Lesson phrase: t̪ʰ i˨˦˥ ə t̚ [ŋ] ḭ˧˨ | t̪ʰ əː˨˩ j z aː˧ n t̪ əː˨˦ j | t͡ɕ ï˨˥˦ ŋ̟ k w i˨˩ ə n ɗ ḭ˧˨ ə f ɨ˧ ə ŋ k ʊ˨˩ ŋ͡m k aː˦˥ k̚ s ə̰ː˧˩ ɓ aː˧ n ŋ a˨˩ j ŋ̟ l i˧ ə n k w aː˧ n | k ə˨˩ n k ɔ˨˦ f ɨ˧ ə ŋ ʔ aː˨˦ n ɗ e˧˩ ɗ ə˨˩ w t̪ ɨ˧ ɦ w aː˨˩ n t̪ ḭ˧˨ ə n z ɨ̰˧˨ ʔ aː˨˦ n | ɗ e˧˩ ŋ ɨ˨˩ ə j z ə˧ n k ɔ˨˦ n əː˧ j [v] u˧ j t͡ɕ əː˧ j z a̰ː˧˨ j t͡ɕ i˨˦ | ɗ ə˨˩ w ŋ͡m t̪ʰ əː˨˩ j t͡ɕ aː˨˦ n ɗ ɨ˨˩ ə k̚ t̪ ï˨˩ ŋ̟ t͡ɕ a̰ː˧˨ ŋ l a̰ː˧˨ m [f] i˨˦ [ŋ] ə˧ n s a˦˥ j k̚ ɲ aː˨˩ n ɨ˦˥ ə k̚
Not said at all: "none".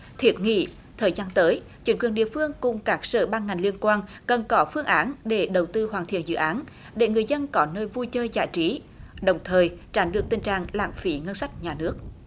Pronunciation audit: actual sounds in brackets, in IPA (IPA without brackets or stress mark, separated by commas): ŋ, v, f, ŋ